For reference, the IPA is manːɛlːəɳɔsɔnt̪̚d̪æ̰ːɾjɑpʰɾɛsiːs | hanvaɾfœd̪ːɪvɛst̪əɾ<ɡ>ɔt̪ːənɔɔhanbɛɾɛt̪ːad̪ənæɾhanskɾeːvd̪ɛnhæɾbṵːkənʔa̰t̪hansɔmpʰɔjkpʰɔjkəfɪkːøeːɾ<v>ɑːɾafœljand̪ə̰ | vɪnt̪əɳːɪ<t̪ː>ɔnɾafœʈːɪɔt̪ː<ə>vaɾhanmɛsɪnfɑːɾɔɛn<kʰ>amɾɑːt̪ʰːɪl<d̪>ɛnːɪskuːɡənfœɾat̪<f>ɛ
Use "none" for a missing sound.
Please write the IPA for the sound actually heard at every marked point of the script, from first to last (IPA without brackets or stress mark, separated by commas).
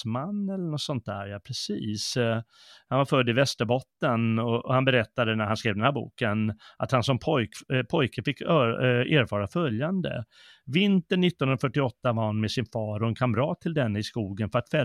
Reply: b, f, t̪ː, a, kʰ, d̪, f